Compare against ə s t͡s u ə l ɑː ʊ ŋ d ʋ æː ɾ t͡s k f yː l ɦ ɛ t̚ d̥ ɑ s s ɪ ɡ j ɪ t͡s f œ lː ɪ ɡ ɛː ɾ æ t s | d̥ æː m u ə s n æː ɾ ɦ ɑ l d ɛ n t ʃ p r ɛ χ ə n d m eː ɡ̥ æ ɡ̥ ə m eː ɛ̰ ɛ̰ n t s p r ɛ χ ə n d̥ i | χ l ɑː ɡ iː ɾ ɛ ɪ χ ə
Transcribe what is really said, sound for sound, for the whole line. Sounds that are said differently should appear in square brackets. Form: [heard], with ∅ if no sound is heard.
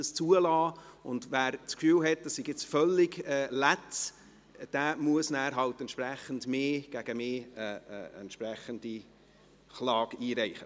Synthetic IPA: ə s t͡s u ə l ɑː ʊ [n] d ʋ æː ɾ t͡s k f yː l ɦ ɛ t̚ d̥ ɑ s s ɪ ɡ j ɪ t͡s f œ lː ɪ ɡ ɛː [l] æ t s | d̥ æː m u ə s n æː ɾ ɦ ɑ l [t] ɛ n t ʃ p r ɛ χ ə n d m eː ɡ̥ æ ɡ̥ ə m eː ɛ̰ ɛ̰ n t [ʃ] p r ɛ χ ə n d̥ i | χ l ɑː ɡ iː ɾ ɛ ɪ χ ə